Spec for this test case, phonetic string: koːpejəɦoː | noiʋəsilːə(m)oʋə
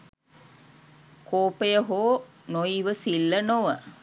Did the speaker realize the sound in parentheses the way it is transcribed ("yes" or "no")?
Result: no